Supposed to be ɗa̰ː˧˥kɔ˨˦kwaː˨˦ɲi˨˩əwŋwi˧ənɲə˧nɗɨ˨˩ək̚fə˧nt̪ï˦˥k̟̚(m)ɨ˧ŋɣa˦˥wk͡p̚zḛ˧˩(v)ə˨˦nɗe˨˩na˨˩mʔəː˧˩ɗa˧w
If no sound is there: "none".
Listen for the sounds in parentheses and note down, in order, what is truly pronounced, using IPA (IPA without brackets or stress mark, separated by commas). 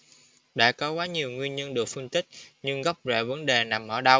ɲ, v